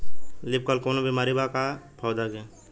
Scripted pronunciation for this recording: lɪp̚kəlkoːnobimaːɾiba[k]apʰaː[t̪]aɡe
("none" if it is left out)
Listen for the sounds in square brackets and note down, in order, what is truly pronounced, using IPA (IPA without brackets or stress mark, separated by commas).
k, d̪